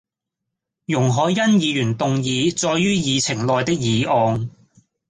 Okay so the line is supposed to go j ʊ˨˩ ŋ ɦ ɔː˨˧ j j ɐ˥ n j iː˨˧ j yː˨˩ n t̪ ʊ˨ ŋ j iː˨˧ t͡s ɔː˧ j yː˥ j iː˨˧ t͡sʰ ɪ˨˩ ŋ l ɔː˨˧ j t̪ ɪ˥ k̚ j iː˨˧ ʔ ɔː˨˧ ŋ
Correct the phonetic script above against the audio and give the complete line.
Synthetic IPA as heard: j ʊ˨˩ ŋ ɦ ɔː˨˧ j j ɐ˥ n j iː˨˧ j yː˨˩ n t̪ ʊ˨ ŋ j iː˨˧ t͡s ɔː˧ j yː˥ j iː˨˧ t͡sʰ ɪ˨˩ ŋ l ɔː˨˧ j t̪ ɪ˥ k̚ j iː˨˧ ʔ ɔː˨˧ ŋ